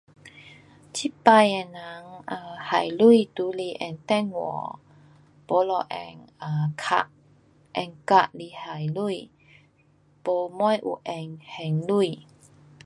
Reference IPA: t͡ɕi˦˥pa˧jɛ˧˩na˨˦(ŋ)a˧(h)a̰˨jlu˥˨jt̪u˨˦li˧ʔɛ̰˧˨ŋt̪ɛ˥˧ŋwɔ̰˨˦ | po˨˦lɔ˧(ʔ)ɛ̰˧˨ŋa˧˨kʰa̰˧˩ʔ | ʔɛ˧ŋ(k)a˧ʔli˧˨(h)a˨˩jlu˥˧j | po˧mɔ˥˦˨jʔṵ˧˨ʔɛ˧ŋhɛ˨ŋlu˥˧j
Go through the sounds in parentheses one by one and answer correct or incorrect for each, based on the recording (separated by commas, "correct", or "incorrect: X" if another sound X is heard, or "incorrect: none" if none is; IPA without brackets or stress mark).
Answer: correct, correct, correct, correct, correct